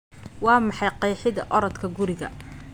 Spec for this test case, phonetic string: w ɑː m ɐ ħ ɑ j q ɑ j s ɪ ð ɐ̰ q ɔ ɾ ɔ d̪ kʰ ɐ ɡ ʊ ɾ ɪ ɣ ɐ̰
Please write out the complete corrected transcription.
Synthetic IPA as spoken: w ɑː m ɑ ħ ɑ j q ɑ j ħ ɪ ð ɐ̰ ʔ ɔ ɾ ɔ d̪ kʰ ɐ ɡ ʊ ɾ ɪ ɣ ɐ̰